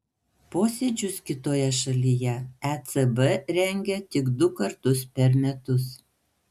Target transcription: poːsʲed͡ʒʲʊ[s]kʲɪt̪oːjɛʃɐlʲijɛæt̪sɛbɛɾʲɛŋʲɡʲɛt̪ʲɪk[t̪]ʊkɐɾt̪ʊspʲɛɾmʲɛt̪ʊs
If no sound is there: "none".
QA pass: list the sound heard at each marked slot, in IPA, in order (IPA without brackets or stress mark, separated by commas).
s, d̪